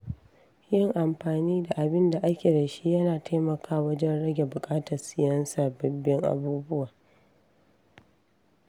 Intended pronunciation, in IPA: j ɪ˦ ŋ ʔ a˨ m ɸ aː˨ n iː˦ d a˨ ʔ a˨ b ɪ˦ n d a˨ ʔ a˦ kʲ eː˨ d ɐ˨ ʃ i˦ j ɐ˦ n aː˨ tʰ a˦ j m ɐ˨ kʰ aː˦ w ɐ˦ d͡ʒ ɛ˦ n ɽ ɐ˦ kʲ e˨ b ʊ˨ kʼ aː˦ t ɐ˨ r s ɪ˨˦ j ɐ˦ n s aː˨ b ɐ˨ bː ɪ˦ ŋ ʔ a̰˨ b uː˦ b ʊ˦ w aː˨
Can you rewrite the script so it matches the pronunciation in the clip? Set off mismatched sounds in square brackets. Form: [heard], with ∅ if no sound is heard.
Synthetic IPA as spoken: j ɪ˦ ŋ ʔ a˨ m ɸ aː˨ n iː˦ d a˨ ʔ a˨ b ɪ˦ n d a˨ ʔ a˦ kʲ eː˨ d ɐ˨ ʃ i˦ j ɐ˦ n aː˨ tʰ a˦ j m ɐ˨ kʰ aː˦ w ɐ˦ d͡ʒ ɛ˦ n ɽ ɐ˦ [ɡʲ] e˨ b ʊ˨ kʼ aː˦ t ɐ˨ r s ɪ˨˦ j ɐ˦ n s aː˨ b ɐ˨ bː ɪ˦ ŋ ʔ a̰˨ b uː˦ b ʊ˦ w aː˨